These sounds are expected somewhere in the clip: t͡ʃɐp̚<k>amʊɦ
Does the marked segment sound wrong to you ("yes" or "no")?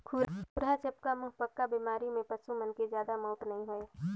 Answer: no